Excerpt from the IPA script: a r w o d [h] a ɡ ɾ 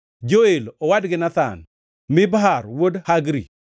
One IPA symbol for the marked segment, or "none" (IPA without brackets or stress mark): h